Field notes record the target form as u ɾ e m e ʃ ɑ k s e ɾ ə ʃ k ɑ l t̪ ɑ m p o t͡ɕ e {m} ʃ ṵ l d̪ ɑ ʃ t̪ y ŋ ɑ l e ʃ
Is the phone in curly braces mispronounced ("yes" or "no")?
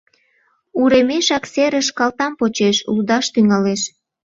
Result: yes